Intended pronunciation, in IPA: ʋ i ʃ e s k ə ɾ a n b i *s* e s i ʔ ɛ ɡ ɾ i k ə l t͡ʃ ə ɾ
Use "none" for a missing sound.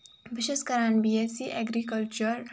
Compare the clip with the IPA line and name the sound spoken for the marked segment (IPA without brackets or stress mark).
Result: none